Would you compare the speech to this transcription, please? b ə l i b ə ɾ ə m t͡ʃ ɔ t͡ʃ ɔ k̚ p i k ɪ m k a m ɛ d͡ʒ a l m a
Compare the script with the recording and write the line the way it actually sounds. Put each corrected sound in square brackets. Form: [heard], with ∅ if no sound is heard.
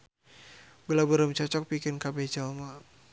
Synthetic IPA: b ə l [a] b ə ɾ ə m t͡ʃ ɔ t͡ʃ ɔ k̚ p i k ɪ [n] k a [b] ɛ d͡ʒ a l m a